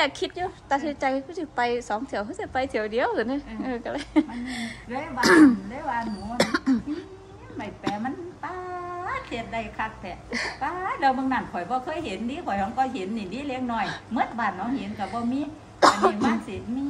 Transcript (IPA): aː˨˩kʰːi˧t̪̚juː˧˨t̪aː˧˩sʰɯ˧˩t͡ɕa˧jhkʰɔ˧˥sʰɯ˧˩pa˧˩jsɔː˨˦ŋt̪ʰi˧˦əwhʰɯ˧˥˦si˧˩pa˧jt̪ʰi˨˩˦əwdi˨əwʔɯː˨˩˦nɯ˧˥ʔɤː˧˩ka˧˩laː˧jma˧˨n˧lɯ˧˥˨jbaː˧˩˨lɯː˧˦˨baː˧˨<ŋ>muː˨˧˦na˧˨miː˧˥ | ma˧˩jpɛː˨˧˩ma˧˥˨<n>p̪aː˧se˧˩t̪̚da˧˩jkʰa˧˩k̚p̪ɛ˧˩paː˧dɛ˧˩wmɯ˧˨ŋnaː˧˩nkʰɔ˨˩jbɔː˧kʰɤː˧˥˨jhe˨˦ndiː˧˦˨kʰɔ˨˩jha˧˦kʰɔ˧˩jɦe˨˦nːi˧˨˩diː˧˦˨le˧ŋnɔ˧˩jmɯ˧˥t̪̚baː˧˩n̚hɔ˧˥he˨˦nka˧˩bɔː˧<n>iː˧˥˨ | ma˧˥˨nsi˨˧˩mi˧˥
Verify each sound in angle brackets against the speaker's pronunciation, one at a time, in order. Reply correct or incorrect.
incorrect: n, correct, incorrect: m

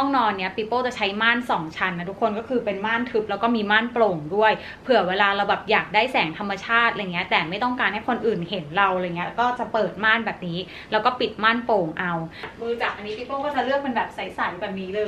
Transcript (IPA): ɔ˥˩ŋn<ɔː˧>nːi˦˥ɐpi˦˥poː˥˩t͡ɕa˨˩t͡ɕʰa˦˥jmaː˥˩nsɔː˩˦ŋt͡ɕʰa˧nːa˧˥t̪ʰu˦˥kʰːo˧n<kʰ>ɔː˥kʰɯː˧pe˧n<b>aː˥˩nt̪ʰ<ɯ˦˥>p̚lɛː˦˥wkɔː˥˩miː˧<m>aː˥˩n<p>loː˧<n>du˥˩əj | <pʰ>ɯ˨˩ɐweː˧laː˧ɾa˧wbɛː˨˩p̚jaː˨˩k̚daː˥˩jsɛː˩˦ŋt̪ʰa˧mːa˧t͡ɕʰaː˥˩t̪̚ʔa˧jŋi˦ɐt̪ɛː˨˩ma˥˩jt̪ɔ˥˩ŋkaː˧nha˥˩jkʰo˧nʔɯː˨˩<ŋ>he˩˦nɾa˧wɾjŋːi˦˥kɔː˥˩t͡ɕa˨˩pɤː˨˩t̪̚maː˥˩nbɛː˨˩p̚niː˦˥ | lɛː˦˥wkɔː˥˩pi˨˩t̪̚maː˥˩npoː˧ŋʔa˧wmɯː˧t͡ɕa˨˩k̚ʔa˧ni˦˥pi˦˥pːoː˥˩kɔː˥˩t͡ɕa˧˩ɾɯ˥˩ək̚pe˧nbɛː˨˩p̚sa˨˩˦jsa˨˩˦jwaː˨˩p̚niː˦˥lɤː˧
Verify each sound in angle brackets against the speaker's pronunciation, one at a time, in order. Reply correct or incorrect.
correct, incorrect: k, incorrect: m, correct, correct, correct, incorrect: ŋ, correct, incorrect: n

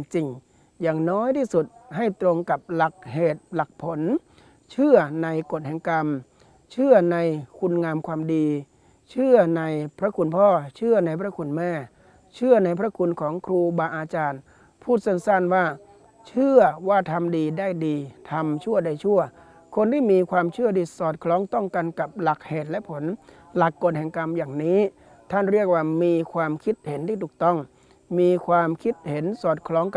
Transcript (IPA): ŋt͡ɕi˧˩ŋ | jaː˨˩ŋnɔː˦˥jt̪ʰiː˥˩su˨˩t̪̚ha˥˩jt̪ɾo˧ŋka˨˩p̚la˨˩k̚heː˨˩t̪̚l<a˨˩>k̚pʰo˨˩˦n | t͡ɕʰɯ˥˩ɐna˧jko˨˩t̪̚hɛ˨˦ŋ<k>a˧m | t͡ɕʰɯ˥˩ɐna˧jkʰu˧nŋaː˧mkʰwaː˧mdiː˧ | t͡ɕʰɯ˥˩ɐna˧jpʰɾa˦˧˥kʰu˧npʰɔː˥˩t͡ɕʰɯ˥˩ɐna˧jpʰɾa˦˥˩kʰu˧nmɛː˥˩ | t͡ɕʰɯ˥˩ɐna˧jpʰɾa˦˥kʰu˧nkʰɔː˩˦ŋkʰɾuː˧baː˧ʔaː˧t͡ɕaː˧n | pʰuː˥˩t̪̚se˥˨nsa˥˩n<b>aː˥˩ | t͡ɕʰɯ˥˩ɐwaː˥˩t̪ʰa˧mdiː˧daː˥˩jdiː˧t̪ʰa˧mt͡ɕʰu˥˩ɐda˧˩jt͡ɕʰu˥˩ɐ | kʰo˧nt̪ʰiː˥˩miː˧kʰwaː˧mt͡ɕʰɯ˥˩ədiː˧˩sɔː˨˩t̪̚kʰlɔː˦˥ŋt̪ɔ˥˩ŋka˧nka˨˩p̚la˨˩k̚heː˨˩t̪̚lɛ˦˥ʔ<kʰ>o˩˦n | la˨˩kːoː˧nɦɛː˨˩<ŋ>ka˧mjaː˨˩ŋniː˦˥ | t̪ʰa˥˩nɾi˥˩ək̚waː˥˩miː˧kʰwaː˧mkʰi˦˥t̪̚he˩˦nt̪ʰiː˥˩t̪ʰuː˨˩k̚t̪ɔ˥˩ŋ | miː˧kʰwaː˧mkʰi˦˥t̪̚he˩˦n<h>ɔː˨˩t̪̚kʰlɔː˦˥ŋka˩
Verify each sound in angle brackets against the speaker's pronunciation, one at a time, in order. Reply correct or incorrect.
correct, correct, incorrect: w, incorrect: pʰ, correct, incorrect: s

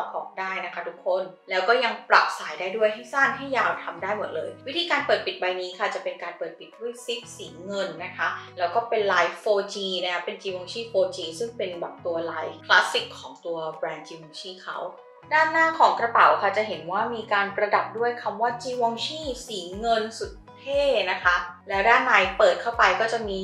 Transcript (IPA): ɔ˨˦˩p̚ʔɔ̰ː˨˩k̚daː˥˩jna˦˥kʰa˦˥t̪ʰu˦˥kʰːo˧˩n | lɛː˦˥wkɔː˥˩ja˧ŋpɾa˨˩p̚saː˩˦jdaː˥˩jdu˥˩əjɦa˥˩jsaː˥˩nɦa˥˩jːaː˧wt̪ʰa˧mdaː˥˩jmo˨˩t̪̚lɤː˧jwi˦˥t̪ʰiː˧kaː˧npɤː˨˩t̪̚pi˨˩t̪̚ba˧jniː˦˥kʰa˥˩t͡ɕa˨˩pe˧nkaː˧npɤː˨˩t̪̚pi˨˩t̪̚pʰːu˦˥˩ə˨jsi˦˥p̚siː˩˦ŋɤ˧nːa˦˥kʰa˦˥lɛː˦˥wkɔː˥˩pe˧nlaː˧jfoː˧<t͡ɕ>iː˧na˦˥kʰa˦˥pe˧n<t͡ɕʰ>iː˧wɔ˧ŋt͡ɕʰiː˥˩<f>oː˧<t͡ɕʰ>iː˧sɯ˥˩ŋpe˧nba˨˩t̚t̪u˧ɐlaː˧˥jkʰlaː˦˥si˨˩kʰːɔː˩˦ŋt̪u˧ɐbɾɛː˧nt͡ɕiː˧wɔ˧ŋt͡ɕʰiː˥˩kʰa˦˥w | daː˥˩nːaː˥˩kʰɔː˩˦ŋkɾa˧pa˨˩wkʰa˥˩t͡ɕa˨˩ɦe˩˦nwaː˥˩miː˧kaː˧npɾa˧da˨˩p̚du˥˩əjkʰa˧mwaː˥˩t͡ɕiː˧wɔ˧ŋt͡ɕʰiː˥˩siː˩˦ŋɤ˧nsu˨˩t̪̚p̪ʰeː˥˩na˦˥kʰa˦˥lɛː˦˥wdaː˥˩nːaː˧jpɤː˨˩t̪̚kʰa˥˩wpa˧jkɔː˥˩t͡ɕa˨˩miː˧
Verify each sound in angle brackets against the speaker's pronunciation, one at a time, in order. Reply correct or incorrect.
correct, incorrect: t͡ɕ, correct, incorrect: t͡ɕ

